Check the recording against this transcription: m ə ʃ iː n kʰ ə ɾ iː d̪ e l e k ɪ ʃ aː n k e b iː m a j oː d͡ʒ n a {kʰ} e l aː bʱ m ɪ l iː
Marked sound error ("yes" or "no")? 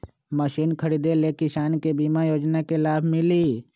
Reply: yes